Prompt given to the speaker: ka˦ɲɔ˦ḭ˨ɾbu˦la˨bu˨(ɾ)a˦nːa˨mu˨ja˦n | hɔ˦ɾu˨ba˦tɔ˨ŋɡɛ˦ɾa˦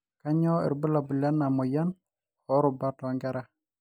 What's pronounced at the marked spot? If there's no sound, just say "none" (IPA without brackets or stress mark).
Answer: l